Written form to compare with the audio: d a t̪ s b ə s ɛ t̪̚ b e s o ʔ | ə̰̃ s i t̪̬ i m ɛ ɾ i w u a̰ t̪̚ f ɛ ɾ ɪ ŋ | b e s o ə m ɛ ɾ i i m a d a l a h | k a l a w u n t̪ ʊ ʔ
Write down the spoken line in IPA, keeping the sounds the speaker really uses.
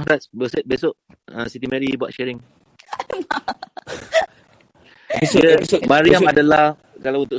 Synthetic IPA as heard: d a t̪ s b ə s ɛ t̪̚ b e s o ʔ | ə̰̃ s i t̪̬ i m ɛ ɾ i b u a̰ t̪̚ ʃ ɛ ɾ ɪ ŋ | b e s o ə m a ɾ i a m a d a l a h | k a l a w u n t̪ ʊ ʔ